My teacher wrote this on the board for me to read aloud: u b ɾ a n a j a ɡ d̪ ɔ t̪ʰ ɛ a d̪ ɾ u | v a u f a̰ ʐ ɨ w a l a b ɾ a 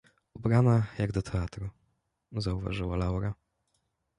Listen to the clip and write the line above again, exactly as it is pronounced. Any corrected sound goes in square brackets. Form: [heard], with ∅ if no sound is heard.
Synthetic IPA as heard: u b ɾ a n a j a ɡ d̪ ɔ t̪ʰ ɛ a [t̪] ɾ u | [z] a u [v] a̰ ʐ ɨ w a l a [w] ɾ a